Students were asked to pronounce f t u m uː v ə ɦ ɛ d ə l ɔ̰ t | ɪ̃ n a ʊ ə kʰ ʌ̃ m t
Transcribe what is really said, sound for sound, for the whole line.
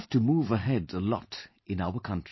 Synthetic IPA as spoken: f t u m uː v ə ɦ ɛ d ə l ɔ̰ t | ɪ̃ n a ʊ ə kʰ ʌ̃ n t